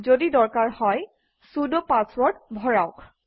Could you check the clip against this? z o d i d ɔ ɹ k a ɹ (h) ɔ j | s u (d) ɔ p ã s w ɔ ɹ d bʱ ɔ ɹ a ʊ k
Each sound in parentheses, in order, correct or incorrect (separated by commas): correct, correct